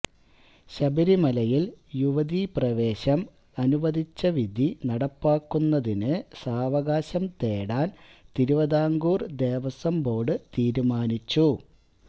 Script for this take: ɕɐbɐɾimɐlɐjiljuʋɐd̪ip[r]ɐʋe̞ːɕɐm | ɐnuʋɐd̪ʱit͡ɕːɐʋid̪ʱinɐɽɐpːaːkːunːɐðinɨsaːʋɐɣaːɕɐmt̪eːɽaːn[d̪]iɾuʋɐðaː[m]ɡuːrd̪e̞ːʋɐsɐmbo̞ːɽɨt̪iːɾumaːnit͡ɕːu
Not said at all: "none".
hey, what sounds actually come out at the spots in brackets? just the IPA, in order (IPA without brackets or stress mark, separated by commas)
r, t̪, ŋ